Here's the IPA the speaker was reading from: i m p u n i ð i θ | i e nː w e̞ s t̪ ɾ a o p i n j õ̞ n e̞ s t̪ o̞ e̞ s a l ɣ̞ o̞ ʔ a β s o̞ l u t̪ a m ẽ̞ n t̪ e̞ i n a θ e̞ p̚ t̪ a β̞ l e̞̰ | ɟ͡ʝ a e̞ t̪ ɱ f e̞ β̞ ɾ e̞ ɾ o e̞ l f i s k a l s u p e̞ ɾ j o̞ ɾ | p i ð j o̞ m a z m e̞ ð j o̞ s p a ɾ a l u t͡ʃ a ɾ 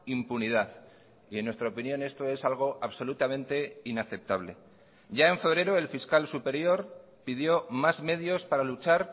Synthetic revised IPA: i m p u n i ð a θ | i e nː w e̞ s t̪ ɾ a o p i n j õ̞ n e̞ s t̪ o̞ e̞ s a l ɣ̞ o̞ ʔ a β s o̞ l u t̪ a m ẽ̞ n t̪ e̞ i n a θ e̞ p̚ t̪ a β̞ l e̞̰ | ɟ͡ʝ a e̞ ɱ f e̞ β̞ ɾ e̞ ɾ o e̞ l f i s k a l s u p e̞ ɾ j o̞ ɾ | p i ð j o̞ m a z m e̞ ð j o̞ s p a ɾ a l u t͡ʃ a ɾ